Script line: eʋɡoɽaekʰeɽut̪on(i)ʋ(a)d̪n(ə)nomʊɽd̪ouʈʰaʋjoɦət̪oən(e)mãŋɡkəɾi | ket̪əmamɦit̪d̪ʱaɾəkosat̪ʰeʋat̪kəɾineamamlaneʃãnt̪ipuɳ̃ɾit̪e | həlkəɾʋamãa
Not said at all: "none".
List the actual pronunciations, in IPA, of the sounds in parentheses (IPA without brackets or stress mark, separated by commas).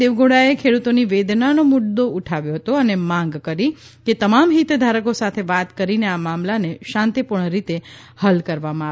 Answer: i, e, a, e